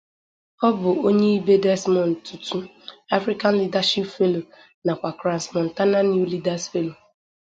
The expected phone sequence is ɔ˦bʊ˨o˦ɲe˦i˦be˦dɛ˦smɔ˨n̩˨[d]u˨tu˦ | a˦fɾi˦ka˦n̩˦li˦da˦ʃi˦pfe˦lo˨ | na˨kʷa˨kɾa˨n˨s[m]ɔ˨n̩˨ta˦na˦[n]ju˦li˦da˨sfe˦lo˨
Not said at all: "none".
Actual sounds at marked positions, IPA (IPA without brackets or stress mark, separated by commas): t, m, n